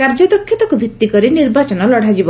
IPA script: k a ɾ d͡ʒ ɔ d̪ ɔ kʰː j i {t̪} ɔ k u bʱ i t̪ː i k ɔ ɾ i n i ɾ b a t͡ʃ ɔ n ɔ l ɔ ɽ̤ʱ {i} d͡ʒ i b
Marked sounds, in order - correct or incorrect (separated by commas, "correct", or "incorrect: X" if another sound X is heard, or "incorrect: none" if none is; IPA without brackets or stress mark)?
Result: correct, incorrect: a